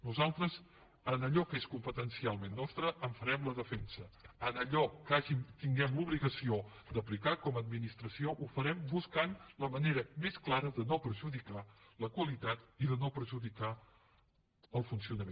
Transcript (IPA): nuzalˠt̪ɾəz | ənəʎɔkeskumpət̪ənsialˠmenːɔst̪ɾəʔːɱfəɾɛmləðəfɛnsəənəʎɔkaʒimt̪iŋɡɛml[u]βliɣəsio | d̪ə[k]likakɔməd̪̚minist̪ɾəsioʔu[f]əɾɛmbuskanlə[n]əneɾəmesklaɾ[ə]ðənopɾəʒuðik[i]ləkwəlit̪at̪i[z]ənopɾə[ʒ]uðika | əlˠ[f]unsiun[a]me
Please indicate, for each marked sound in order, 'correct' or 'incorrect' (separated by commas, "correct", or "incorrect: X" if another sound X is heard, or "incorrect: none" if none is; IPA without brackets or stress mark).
correct, incorrect: p, correct, incorrect: m, correct, incorrect: a, incorrect: ð, correct, correct, incorrect: ə